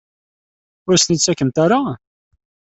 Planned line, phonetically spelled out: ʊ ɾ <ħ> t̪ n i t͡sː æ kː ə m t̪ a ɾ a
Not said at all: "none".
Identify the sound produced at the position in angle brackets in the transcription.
s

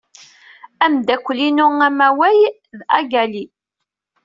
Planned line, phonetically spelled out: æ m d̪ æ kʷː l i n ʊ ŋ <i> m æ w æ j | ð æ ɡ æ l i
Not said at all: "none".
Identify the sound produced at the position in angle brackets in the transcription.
æ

